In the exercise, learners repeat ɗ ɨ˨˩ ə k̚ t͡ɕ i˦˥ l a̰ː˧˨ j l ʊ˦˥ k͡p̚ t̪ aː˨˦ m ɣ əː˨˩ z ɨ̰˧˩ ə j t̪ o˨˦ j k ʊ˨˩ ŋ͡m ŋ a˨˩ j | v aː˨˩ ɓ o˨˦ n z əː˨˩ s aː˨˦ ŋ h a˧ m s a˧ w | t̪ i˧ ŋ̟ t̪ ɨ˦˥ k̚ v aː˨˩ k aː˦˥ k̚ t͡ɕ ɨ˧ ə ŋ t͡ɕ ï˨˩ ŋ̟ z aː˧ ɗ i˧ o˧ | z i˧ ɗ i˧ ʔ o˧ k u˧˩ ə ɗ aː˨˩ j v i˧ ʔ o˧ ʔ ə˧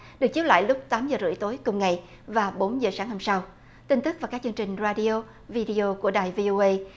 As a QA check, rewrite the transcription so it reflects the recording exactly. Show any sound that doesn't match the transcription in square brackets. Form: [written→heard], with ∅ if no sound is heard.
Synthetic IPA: ɗ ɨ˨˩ ə k̚ t͡ɕ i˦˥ l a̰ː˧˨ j l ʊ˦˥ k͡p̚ t̪ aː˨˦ m [ɣ→z] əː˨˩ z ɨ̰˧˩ ə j t̪ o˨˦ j k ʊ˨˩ ŋ͡m ŋ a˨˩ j | v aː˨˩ ɓ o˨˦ n z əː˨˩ s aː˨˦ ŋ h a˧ m s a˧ w | t̪ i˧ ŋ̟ t̪ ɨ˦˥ k̚ v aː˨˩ k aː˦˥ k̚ t͡ɕ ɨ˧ ə ŋ t͡ɕ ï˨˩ ŋ̟ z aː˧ ɗ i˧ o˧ | [z→v] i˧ ɗ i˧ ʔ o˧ k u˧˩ ə ɗ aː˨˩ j v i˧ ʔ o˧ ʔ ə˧